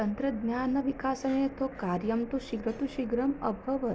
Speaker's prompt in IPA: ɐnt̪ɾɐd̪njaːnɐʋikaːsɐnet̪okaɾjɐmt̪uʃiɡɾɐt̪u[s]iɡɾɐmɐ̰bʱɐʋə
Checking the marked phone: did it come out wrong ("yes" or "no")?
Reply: yes